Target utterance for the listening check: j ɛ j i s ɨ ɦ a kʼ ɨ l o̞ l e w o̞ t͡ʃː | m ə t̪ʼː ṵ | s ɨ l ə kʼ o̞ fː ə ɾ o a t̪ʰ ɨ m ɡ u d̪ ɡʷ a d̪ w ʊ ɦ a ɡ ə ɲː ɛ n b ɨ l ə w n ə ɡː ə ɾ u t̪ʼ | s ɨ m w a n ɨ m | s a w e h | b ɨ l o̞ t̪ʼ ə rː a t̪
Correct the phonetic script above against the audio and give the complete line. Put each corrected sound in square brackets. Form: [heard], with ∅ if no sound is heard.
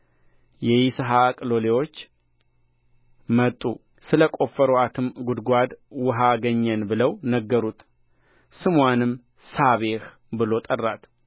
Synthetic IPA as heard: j ɛ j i s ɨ ɦ a kʼ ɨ l o̞ l e w o̞ t͡ʃː | m ə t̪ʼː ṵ | s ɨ l ə kʼ o̞ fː ə ɾ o a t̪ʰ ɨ m ɡ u d̪ ɡʷ a d̪ w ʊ ɦ a ɡ ə ɲː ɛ n b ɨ l ə w n ə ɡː ə ɾ u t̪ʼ | s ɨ m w a n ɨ m | s a [β] e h | b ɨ l o̞ t̪ʼ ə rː a t̪

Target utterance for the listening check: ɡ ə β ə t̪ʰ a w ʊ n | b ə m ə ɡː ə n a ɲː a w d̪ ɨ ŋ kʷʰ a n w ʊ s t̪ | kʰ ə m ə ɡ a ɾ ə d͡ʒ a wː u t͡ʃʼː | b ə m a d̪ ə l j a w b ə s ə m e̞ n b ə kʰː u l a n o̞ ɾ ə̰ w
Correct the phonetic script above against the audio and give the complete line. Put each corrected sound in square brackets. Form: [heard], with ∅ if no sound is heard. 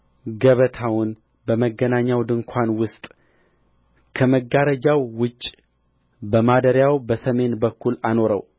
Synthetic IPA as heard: ɡ ə β ə t̪ʰ a w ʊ n | b ə m ə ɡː ə n a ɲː a w d̪ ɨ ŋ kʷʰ a n w ʊ s [t̪ʼ] | kʰ ə m ə ɡ a ɾ ə d͡ʒ a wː [ʊ] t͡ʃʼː | b ə m a d̪ ə [ɾ] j a w b ə s ə m e̞ n b ə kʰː u l a n o̞ ɾ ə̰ w

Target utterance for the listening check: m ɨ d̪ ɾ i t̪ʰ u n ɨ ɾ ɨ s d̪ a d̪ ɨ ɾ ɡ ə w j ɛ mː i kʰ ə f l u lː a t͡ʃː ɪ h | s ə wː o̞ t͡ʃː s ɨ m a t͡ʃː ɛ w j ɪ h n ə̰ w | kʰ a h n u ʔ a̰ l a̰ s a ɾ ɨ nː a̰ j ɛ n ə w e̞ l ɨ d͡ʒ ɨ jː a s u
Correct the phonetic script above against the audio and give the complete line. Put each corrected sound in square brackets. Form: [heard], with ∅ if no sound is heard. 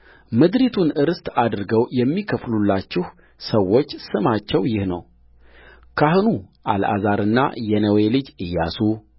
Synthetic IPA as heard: m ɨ d̪ ɾ i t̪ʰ u n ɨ ɾ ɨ s [t̪] a d̪ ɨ ɾ ɡ ə w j ɛ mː i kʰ ə f l u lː a t͡ʃː ɪ h | s ə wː o̞ t͡ʃː s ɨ m a t͡ʃː ɛ w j ɪ h n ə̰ w | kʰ a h n u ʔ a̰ l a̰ [z] a ɾ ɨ nː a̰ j ɛ n ə w e̞ l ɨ d͡ʒ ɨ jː a s u

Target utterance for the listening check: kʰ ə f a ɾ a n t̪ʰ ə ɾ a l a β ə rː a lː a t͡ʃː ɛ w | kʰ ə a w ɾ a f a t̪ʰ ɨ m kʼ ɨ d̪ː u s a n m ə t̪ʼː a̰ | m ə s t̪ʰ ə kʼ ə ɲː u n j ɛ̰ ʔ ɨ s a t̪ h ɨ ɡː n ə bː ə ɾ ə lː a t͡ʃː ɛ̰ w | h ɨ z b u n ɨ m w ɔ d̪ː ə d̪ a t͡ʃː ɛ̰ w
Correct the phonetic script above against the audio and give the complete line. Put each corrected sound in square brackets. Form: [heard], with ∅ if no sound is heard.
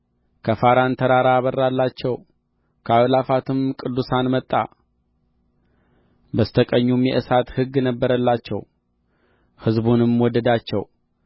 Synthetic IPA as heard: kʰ ə f a ɾ a n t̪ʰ ə ɾ a [ɾ] a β ə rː a lː a t͡ʃː ɛ w | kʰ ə a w [l] a f a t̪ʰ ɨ m kʼ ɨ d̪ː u s a n m ə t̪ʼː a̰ | [b] ə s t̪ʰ ə kʼ ə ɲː u [m] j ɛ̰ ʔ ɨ s a t̪ h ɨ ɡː n ə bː ə ɾ ə lː a t͡ʃː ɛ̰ w | h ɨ z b u n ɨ m w ɔ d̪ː ə d̪ a t͡ʃː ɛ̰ w

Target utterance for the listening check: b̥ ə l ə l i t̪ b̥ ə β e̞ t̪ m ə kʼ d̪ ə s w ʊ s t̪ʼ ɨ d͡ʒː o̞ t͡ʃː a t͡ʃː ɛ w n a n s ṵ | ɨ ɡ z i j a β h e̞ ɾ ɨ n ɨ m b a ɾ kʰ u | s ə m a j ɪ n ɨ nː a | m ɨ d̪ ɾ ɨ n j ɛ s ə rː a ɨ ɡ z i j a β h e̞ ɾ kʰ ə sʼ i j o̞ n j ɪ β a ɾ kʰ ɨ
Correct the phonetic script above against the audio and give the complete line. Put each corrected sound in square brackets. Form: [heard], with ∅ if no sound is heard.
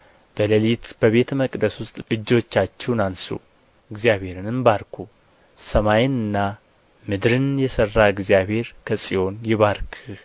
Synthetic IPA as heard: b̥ ə l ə l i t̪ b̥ ə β e̞ t̪ m ə kʼ d̪ ə s w ʊ s t̪ʼ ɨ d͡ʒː o̞ t͡ʃː a t͡ʃː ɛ w n a n s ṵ | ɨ ɡ z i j a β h e̞ ɾ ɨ n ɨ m b a ɾ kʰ u | s ə m a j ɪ n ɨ nː a | m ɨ d̪ ɾ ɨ n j ɛ s ə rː a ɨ ɡ z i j a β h e̞ ɾ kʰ ə sʼ i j o̞ n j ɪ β a ɾ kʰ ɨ

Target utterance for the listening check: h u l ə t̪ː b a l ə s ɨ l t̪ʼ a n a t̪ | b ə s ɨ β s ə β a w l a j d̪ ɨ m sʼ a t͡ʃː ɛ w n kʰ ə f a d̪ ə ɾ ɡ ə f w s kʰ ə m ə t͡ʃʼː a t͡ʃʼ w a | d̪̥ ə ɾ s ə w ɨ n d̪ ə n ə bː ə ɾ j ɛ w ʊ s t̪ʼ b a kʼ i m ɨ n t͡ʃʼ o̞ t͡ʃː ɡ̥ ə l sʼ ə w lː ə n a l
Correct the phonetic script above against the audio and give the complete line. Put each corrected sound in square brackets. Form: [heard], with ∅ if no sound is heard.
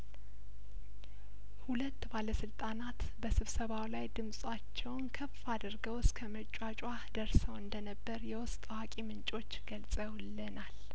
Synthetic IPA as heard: h u l ə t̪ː b a l ə s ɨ l t̪ʼ a n a t̪ | b ə s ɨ β s ə β a w l a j d̪ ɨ m sʼ a t͡ʃː ɛ w n kʰ ə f a d̪ ə ɾ ɡ ə [∅] w s kʰ ə m ə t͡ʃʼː a t͡ʃʼ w a | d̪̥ ə ɾ s ə w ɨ n d̪ ə n ə bː ə ɾ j ɛ w ʊ s t̪ʼ [w] a kʼ i m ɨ n t͡ʃʼ o̞ t͡ʃː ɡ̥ ə l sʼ ə w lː ə n a l

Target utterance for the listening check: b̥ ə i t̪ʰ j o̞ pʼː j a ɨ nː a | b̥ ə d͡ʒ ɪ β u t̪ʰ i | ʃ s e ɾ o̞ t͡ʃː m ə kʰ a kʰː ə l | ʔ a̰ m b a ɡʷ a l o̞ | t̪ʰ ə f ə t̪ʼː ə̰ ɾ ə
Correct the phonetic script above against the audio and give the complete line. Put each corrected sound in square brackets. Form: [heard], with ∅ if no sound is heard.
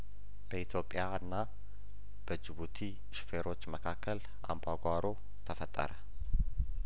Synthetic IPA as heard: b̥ ə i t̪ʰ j o̞ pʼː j a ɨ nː a | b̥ ə d͡ʒ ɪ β u t̪ʰ i | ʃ [f] e ɾ o̞ t͡ʃː m ə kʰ a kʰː ə l | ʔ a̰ m b a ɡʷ a [ɾ] o̞ | t̪ʰ ə f ə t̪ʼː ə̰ ɾ ə

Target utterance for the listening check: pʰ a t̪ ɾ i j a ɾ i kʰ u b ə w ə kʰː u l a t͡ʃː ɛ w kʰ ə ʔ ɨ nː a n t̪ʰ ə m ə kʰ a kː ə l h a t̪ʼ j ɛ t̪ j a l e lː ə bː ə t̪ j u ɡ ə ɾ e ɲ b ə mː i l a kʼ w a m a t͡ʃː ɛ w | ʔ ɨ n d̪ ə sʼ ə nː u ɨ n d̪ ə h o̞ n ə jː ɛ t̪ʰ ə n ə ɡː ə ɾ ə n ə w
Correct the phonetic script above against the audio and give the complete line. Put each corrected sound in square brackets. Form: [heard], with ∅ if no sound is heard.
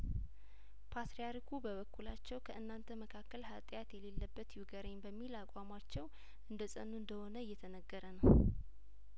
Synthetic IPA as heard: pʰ a t̪ ɾ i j a ɾ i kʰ u b ə [β] ə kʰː u l a t͡ʃː ɛ w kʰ ə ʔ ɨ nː a n t̪ʰ ə m ə kʰ a kː ə l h a t̪ʼ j [a] t̪ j [ɛ] l e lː ə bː ə t̪ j u ɡ ə ɾ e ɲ b ə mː i l a kʼ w a m a t͡ʃː ɛ w | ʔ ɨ n d̪ ə sʼ ə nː u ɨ n d̪ ə h o̞ n ə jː ɛ t̪ʰ ə n ə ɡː ə ɾ ə n ə w

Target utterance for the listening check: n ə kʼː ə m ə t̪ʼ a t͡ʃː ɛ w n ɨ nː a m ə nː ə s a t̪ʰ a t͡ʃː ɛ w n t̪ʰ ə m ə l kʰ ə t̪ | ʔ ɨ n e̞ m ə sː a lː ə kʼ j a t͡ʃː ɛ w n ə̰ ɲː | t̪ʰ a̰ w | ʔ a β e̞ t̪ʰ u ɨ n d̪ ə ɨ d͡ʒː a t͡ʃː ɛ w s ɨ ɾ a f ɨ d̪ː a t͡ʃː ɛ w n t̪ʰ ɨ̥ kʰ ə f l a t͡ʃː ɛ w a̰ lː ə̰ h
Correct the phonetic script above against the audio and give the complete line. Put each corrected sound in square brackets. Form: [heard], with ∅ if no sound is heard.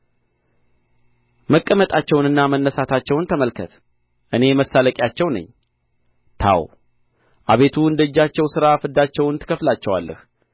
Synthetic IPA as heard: [m] ə kʼː ə m ə t̪ʼ a t͡ʃː ɛ w n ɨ nː a m ə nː ə s a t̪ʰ a t͡ʃː ɛ w n t̪ʰ ə m ə l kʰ ə t̪ | ʔ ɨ n e̞ m ə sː a [l] ə kʼ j a t͡ʃː ɛ w n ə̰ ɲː | t̪ʰ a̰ w | ʔ a β e̞ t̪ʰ u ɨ n d̪ ə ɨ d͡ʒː a t͡ʃː ɛ w s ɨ ɾ a f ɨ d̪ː a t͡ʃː ɛ w n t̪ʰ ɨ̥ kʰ ə f l a t͡ʃː ɛ w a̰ lː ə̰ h

